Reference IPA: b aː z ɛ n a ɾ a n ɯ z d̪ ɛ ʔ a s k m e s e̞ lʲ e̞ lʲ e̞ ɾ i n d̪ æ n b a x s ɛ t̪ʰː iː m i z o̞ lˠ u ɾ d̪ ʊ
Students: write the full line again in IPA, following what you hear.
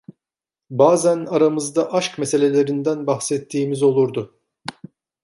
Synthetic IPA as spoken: b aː z æ n a ɾ a m ɯ z d̪ a ʔ a ʃ k m e s e̞ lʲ e̞ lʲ e̞ ɾ i n d̪ æ n b a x s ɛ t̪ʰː iː m i z o̞ lˠ u ɾ d̪ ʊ